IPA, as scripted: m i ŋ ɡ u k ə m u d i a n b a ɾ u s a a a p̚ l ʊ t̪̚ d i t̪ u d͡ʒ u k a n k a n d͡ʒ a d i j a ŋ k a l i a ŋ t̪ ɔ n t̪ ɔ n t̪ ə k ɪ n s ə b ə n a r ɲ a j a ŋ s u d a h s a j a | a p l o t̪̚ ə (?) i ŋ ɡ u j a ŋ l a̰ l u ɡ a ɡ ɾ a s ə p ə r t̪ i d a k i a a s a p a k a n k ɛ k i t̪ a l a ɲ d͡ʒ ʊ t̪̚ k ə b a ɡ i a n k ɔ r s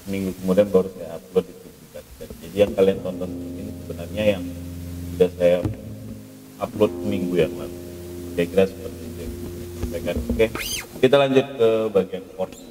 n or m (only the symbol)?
m